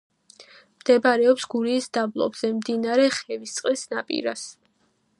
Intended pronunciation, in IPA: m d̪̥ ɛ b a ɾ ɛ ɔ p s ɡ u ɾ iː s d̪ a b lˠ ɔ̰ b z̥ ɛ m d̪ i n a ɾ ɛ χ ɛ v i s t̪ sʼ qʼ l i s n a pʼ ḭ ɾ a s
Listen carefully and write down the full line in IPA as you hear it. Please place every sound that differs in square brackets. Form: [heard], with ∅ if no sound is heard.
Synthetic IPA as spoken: m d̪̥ ɛ b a ɾ ɛ ɔ p s ɡ u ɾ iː s d̪ a b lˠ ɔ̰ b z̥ ɛ m d̪ i n a ɾ ɛ χ ɛ v i s t̪ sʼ qʼ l i s n a pʼ ḭ ɾ a s